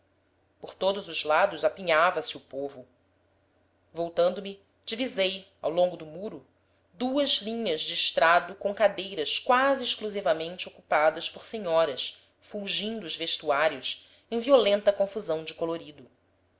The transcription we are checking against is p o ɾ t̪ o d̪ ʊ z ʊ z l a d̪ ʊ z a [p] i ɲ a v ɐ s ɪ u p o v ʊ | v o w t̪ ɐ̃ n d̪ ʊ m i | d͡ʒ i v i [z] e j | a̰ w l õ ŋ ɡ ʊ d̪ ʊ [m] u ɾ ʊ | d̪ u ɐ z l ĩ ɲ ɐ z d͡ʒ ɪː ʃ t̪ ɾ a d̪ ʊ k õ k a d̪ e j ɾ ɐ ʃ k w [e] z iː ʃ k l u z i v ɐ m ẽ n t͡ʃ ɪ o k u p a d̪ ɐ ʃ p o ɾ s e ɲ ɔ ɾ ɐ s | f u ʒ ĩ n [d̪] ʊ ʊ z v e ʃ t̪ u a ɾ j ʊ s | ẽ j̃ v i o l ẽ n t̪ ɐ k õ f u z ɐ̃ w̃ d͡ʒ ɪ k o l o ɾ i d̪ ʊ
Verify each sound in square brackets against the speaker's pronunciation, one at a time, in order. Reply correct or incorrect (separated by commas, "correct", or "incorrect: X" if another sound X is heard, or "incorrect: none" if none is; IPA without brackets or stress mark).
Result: correct, correct, correct, incorrect: a, correct